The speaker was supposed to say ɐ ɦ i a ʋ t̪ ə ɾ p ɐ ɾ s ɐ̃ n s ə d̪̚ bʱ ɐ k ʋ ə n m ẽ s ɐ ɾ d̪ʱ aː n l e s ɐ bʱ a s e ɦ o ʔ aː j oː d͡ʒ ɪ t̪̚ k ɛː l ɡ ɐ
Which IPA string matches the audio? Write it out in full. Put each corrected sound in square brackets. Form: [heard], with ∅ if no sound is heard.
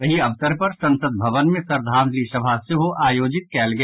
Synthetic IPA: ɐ ɦ i [ɐ] ʋ t̪ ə ɾ p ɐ ɾ s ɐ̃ n s ə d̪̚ bʱ ɐ [∅] ʋ ə n m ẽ s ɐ ɾ d̪ʱ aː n l [i] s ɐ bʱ a s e ɦ o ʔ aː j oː d͡ʒ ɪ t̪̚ k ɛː l ɡ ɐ